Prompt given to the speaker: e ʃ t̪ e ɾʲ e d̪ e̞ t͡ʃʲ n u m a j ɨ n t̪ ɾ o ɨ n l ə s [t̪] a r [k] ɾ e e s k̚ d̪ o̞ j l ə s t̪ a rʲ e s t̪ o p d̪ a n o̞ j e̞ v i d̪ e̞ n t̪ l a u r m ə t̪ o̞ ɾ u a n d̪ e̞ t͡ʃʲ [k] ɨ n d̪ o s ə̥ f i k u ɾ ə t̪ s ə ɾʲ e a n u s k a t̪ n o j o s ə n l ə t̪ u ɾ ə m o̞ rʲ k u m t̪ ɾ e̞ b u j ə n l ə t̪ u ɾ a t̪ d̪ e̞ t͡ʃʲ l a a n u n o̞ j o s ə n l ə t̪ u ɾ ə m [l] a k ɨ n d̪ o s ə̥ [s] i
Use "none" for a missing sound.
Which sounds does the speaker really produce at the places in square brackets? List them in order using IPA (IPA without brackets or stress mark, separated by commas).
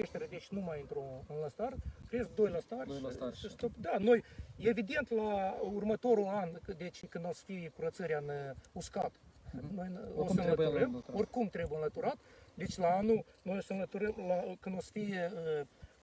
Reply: t̪, k, k, l, f